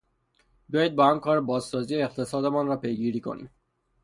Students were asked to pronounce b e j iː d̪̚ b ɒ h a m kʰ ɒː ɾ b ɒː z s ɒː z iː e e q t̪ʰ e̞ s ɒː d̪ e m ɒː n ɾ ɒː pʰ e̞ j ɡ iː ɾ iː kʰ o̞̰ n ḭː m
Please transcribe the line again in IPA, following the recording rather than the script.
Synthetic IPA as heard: b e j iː d̪̚ b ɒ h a m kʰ ɒː ɾ b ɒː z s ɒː z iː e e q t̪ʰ e̞ s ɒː d̪ e m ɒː n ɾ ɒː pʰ e̞ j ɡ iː ɾ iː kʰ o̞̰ n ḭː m